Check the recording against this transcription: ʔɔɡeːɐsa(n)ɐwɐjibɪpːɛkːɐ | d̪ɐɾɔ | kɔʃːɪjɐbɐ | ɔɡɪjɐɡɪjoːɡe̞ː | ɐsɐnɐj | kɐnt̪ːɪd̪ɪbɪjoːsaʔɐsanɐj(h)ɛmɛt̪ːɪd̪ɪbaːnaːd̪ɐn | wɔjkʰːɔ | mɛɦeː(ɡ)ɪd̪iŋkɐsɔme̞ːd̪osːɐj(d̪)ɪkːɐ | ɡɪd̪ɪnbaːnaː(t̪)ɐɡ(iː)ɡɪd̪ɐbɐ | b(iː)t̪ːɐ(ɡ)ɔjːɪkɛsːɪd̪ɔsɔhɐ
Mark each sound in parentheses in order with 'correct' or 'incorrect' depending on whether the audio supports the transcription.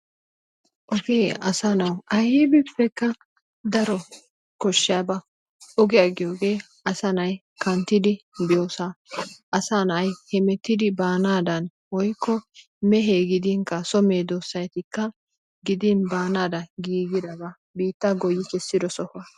correct, correct, correct, incorrect, incorrect, correct, correct, correct

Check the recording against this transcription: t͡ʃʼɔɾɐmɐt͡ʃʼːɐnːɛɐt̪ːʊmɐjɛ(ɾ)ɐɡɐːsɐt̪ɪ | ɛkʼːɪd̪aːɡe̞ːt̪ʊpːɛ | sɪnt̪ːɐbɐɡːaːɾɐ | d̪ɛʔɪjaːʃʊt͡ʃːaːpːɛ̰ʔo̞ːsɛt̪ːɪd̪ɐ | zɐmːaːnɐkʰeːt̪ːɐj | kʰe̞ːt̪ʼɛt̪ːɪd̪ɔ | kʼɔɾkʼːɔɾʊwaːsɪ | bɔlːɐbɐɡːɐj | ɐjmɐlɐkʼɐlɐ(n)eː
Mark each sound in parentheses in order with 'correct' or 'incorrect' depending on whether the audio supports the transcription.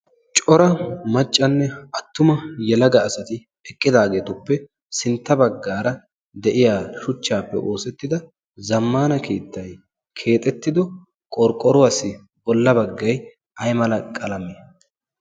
incorrect, incorrect

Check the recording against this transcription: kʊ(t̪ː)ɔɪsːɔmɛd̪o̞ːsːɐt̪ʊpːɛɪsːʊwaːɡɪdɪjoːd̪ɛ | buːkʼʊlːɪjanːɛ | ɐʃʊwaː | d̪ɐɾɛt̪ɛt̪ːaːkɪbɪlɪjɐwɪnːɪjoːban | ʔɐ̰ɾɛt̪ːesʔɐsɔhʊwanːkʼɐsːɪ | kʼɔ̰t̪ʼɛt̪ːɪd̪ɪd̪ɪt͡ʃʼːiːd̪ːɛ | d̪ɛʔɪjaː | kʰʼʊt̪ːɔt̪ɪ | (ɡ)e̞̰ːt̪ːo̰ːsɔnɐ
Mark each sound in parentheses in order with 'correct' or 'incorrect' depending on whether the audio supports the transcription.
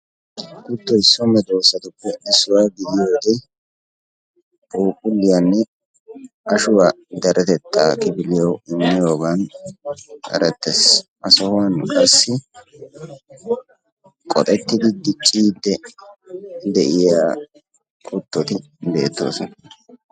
correct, incorrect

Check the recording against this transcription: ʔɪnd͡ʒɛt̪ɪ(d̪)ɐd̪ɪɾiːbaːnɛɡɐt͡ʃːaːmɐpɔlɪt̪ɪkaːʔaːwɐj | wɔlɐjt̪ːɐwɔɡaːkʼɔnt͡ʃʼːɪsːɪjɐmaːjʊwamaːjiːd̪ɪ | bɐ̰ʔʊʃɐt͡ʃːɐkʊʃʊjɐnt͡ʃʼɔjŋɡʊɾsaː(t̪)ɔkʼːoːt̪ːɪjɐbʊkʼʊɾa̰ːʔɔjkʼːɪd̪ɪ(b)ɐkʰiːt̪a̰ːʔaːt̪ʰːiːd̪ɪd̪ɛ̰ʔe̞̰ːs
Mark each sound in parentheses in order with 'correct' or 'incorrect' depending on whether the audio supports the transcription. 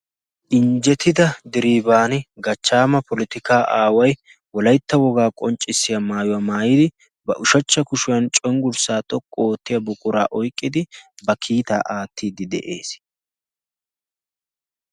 correct, incorrect, correct

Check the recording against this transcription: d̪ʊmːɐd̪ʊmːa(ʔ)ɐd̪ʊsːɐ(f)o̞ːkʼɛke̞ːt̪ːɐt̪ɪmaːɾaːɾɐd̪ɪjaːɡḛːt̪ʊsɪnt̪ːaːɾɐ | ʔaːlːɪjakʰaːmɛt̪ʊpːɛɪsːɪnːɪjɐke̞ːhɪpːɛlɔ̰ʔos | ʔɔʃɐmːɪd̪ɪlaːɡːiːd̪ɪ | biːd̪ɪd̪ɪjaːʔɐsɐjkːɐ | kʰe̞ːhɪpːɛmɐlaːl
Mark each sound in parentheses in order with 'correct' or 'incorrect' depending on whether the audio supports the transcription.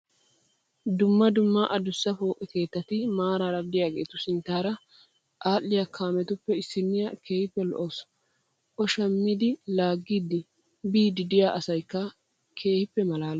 correct, correct

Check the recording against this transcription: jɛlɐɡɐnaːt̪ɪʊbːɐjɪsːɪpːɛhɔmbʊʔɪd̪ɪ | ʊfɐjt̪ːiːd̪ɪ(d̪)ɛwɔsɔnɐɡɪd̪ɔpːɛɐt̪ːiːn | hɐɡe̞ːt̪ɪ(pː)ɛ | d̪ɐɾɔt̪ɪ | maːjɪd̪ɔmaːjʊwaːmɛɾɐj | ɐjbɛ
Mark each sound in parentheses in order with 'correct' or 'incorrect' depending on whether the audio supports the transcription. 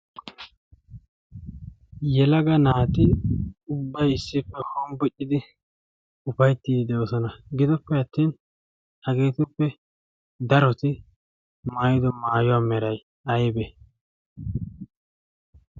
correct, correct

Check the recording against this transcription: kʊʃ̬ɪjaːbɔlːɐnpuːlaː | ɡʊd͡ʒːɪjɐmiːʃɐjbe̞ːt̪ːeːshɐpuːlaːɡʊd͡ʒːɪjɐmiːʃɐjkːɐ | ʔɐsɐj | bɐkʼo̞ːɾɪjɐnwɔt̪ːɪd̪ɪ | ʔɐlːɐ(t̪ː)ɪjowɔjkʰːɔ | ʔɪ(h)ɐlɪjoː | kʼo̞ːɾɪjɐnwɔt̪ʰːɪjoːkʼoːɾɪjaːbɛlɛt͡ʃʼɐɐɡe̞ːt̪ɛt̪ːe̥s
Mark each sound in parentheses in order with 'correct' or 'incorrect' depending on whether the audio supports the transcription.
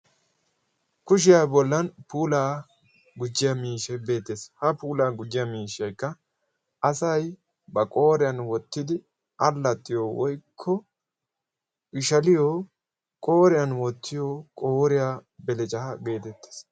correct, incorrect

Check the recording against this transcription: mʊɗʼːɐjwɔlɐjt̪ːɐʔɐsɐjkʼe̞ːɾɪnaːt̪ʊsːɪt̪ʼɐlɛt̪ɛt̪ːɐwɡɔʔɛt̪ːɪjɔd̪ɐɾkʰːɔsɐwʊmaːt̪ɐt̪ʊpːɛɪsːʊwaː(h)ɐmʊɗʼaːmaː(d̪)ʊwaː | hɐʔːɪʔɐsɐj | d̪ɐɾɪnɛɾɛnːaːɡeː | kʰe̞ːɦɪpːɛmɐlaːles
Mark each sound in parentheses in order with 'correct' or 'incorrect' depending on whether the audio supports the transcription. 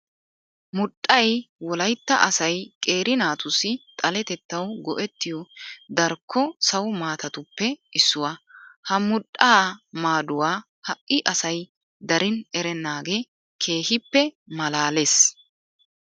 correct, correct

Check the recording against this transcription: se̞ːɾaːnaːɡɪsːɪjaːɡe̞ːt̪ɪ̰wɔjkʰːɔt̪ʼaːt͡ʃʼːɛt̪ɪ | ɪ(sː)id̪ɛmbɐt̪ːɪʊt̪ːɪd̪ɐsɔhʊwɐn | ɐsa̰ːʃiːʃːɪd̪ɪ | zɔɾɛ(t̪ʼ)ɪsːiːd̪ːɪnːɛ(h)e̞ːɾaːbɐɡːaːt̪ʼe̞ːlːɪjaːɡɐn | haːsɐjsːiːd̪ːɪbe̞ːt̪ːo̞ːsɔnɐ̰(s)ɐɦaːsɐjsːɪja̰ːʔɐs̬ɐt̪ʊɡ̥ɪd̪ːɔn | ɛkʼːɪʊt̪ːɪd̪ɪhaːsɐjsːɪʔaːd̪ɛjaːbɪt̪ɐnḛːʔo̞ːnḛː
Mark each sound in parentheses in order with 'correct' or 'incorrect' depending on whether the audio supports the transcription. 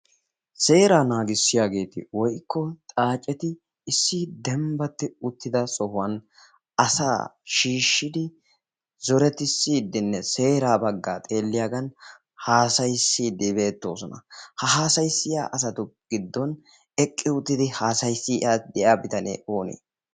correct, incorrect, incorrect, incorrect

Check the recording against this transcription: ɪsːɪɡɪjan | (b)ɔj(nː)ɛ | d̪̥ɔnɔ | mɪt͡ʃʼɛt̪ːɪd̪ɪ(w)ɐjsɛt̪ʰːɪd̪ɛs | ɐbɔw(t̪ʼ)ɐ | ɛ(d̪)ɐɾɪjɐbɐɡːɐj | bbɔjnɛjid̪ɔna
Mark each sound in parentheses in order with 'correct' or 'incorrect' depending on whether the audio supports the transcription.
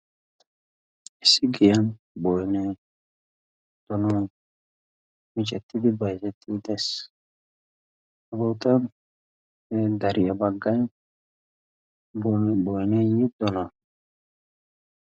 correct, incorrect, incorrect, incorrect, correct

